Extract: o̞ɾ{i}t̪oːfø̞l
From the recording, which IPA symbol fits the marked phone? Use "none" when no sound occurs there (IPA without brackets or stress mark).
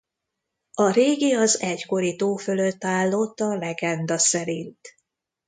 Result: i